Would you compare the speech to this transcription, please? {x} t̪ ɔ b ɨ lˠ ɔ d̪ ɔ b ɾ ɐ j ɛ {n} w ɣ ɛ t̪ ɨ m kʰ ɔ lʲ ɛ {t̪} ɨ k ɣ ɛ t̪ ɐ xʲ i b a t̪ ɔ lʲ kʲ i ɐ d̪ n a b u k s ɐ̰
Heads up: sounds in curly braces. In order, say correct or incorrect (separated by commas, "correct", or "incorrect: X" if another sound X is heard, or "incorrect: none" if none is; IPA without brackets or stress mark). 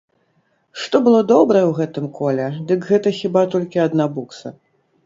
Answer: incorrect: ʂ, incorrect: none, incorrect: d̪